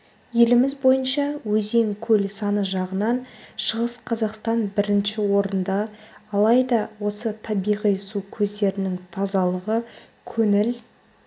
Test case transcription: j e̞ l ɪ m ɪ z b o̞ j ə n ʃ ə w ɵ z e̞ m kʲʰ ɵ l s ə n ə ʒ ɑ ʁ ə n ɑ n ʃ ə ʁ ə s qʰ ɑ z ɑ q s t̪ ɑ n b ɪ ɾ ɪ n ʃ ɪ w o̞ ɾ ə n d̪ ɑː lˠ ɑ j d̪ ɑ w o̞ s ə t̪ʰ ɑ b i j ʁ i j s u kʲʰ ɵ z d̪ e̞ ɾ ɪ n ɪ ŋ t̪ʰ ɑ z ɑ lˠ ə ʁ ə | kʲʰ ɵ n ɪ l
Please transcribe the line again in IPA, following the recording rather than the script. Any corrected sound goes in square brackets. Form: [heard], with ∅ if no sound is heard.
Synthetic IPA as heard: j e̞ l ɪ m ɪ z b o̞ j ə n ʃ [ɑ] w ɵ z e̞ [ŋ] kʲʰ ɵ l s [ɑ] n ə ʒ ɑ ʁ ə n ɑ n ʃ ə ʁ ə s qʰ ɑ z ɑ q s t̪ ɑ n b ɪ ɾ ɪ n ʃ ɪ w o̞ ɾ ə n d̪ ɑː lˠ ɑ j d̪ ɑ w o̞ s ə t̪ʰ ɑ b i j ʁ i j s u kʲʰ ɵ z d̪ e̞ ɾ ɪ n ɪ ŋ t̪ʰ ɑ z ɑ lˠ ə ʁ ə | kʲʰ ɵ n ɪ l

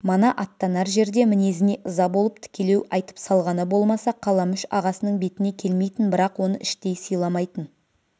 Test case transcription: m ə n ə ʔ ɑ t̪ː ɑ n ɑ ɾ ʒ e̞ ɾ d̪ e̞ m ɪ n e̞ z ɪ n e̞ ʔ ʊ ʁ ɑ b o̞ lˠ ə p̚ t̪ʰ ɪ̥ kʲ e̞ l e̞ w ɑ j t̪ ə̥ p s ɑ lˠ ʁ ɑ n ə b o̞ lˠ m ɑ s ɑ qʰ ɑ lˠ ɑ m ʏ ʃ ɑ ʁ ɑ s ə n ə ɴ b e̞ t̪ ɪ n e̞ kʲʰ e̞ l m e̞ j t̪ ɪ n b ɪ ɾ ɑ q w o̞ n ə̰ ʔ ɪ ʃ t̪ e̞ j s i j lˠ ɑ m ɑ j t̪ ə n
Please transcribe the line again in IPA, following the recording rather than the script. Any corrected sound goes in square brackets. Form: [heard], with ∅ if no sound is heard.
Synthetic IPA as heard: m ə n [ɑ] ʔ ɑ t̪ː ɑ n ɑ ɾ ʒ e̞ ɾ d̪ e̞ m ɪ n e̞ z ɪ n e̞ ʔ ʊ [z] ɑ b o̞ lˠ ə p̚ t̪ʰ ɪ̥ kʲ e̞ l e̞ w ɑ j t̪ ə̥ p s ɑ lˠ ʁ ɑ n ə b o̞ lˠ m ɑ s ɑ qʰ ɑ lˠ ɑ m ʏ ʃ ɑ ʁ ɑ s ə n ə ɴ b e̞ t̪ ɪ n e̞ kʲʰ e̞ l m e̞ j t̪ ɪ n b ɪ ɾ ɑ q w o̞ n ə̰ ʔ ɪ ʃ t̪ e̞ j s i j lˠ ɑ m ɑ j t̪ ə n

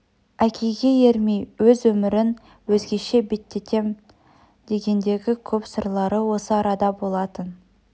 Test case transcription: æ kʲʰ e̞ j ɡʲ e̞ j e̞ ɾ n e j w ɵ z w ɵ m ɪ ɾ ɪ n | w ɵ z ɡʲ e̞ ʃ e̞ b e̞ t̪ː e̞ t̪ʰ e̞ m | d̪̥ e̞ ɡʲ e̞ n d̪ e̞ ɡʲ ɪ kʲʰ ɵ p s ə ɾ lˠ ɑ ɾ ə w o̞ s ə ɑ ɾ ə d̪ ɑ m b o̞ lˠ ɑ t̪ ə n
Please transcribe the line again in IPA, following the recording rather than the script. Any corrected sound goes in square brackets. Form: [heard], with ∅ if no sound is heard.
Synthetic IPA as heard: æ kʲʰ e̞ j ɡʲ e̞ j e̞ ɾ [m] e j w ɵ z w ɵ m ɪ ɾ ɪ n | w ɵ z ɡʲ e̞ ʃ e̞ b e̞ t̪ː e̞ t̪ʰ e̞ m | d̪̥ e̞ ɡʲ e̞ n d̪ e̞ ɡʲ ɪ kʲʰ ɵ p s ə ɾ lˠ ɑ ɾ ə w o̞ s ə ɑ ɾ [ɑ] d̪ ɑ [∅] b o̞ lˠ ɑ t̪ ə n

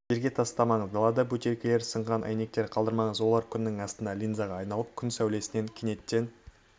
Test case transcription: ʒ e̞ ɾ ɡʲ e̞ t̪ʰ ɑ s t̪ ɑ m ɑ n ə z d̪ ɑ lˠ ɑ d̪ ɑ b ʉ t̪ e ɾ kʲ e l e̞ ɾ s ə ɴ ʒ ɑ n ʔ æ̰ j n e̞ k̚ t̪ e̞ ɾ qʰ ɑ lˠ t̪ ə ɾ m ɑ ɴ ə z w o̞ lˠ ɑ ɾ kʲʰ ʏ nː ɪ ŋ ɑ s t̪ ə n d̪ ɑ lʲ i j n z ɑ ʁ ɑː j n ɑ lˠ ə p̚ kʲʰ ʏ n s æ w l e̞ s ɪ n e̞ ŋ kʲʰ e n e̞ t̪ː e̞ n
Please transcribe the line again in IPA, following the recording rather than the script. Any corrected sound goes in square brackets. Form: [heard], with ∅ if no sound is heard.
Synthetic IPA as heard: ʒ e̞ ɾ ɡʲ e̞ t̪ʰ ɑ s t̪ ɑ m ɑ [ɴ] ə z d̪ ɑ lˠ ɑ d̪ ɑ b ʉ t̪ e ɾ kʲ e l e̞ ɾ s ə ɴ [ʁ] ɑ n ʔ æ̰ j n e̞ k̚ t̪ e̞ ɾ qʰ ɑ lˠ [d̪] ə ɾ m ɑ ɴ ə z w o̞ lˠ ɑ ɾ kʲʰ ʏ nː ɪ ŋ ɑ s t̪ ə n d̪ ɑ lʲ i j n z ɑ ʁ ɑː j n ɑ lˠ ə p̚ kʲʰ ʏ n s æ w l e̞ s ɪ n e̞ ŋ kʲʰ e n e̞ t̪ː e̞ n

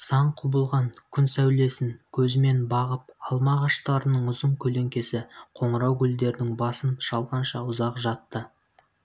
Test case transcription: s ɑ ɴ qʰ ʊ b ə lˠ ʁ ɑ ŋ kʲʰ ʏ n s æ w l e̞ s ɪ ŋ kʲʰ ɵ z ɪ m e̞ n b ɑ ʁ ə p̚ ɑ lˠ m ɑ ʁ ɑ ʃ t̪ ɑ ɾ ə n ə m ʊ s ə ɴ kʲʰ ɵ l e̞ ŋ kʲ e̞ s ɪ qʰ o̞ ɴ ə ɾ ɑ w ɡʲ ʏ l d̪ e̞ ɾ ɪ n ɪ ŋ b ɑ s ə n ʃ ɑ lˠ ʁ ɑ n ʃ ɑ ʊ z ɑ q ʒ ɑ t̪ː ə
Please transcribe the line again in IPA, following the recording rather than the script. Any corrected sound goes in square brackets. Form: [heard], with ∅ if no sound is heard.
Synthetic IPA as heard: s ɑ ɴ qʰ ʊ b ə lˠ ʁ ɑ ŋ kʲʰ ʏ n s æ w l e̞ s ɪ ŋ kʲʰ ɵ z ɪ m e̞ n b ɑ ʁ ə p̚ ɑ lˠ m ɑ ʁ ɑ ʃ t̪ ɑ ɾ ə n ə [ɴ] ʊ [z] ə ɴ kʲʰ ɵ l e̞ ŋ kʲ e̞ s ɪ qʰ o̞ ɴ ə ɾ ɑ w ɡʲ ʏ l d̪ e̞ ɾ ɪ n ɪ ŋ b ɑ s ə n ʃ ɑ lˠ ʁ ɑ n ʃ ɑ ʊ z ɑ q ʒ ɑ t̪ː ə

